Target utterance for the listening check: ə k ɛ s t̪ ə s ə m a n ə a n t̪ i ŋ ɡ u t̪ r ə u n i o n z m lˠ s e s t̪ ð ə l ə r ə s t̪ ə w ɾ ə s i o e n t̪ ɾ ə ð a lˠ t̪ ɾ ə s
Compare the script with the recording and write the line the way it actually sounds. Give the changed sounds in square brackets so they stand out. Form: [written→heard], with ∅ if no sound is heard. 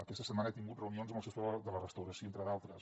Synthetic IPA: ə k ɛ s t̪ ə s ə m a n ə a [n→∅] t̪ i ŋ ɡ u t̪ r ə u n i o n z m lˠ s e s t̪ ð ə l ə r ə s t̪ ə w ɾ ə s i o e n t̪ ɾ ə ð a lˠ t̪ ɾ ə s